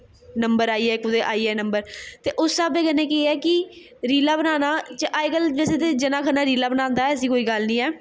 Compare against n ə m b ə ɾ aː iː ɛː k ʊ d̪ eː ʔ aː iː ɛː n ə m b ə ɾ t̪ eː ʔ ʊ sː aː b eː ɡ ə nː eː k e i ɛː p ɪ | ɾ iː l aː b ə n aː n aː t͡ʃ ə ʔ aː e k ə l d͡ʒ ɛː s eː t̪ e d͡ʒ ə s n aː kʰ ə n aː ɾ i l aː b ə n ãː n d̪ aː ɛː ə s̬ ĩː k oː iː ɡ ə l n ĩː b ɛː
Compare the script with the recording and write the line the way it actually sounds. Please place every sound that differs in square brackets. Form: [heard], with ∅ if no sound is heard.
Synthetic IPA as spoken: n ə m b ə ɾ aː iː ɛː k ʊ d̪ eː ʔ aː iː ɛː n ə m b ə ɾ t̪ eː ʔ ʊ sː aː b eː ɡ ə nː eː k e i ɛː [k] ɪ | ɾ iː l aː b ə n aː n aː t͡ʃ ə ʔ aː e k ə l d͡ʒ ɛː s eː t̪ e d͡ʒ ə [∅] n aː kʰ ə n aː ɾ [iː] l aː b ə n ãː n d̪ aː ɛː ə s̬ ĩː k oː iː ɡ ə l n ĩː [∅] ɛː